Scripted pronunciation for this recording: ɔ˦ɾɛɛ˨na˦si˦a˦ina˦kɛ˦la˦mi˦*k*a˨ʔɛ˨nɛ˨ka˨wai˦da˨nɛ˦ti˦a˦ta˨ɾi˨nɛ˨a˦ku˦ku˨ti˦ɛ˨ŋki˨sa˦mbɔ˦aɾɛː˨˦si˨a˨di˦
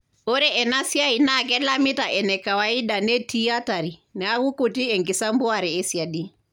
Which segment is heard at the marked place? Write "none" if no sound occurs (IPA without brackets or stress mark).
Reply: t